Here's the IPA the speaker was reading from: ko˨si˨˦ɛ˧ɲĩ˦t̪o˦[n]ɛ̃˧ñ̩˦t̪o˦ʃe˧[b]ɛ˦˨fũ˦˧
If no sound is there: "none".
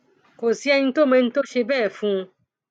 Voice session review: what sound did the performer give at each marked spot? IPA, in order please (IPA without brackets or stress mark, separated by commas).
m, b